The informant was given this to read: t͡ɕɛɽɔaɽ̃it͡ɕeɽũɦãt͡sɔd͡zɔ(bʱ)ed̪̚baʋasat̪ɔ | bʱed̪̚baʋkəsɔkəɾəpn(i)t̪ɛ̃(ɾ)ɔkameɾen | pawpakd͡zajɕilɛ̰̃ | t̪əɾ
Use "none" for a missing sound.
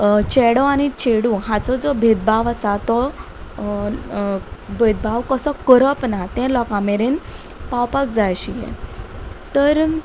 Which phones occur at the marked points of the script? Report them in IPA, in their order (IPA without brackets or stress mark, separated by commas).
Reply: bʱ, a, l